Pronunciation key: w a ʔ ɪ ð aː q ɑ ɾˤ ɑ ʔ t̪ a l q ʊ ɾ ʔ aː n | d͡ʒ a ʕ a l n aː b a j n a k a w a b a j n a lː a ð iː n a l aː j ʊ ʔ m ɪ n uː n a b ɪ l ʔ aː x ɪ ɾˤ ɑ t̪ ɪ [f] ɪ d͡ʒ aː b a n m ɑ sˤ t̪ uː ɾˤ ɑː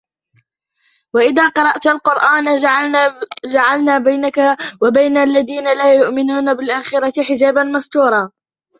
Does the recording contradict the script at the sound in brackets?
yes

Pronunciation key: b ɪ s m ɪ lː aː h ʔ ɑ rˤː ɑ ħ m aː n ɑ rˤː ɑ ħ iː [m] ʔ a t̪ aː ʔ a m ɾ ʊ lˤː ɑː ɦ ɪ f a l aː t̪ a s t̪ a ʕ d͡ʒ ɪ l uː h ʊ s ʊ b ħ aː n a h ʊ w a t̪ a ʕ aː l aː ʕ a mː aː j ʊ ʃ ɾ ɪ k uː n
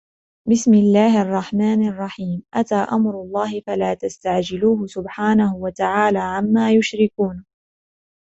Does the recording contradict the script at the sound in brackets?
no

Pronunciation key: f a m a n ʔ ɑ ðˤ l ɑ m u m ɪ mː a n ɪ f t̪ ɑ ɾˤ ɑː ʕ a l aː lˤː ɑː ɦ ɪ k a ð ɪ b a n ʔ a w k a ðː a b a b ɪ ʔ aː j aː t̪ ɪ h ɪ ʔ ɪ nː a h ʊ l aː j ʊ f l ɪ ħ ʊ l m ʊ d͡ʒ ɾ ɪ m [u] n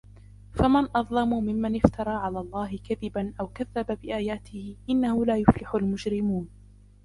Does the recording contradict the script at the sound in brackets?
yes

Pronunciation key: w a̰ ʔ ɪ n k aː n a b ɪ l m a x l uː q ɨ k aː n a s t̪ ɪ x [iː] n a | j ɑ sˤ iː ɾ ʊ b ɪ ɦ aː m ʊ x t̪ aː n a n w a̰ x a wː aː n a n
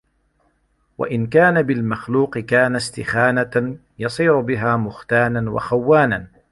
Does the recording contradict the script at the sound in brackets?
yes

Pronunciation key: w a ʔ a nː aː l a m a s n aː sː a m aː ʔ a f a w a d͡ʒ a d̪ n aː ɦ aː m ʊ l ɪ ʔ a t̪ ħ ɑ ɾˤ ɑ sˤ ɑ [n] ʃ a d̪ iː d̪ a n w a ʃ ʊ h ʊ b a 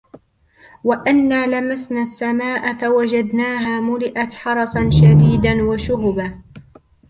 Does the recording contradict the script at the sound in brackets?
no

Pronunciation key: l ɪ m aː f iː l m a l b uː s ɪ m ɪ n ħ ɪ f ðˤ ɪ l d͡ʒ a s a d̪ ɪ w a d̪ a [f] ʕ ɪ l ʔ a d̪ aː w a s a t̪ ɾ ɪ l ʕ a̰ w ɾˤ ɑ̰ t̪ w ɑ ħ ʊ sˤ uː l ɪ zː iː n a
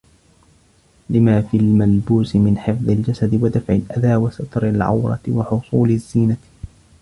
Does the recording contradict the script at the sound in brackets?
no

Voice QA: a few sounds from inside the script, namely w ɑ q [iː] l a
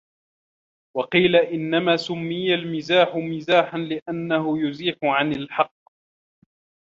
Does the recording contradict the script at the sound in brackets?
no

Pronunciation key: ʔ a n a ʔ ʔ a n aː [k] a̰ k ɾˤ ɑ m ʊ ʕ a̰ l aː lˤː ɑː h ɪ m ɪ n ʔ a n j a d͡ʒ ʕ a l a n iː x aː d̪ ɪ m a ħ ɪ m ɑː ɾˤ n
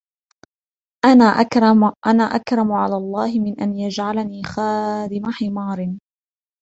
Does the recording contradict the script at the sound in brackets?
yes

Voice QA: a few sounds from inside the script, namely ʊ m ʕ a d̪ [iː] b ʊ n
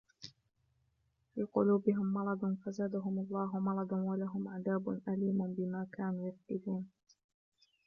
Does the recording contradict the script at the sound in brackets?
yes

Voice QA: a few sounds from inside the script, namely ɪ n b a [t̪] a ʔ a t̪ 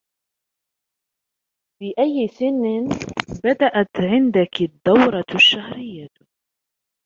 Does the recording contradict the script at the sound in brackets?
yes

